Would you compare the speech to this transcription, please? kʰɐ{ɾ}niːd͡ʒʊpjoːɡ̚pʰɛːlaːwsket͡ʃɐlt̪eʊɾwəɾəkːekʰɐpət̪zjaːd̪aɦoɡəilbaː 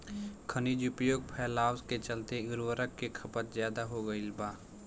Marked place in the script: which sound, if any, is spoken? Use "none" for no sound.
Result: none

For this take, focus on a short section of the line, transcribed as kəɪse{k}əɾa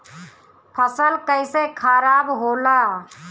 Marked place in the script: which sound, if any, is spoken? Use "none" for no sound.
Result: kʰ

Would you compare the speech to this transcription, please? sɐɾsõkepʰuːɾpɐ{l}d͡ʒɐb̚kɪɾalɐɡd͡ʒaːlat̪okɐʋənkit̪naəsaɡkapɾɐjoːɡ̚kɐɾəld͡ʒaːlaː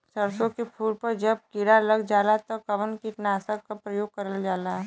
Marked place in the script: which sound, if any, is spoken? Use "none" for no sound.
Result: ɾ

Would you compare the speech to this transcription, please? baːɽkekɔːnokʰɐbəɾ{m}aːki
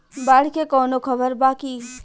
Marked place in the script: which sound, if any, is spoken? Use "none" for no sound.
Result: b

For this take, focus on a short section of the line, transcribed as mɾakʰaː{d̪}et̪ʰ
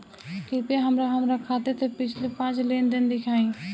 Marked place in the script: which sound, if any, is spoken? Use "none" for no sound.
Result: t̪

